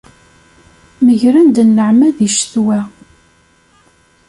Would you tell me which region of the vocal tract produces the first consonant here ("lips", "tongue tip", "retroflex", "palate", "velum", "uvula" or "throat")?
lips